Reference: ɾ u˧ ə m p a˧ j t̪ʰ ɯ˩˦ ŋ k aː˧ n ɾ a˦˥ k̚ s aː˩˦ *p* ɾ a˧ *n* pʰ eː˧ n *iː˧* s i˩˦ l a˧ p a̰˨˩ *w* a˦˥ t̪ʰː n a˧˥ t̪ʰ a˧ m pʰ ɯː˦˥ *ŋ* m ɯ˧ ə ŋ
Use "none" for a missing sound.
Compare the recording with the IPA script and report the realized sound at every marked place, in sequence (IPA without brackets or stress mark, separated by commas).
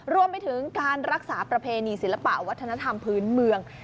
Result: p, none, iː˧, w, n